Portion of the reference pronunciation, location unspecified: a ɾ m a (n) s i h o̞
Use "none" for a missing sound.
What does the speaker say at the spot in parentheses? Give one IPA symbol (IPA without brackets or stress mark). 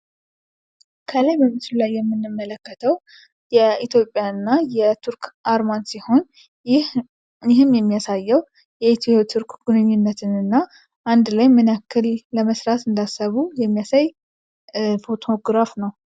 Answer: n